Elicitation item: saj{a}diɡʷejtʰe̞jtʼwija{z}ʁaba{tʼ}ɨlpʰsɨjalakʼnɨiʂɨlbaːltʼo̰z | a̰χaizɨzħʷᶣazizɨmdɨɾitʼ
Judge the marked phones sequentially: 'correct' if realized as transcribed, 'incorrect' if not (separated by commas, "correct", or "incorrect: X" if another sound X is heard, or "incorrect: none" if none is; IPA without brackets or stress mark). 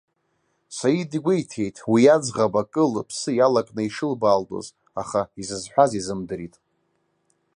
incorrect: i, incorrect: d͡z, incorrect: kʼ